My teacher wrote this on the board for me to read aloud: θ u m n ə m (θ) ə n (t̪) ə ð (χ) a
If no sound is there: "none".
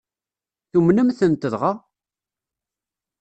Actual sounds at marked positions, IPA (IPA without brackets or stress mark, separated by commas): θ, t̪, ʁ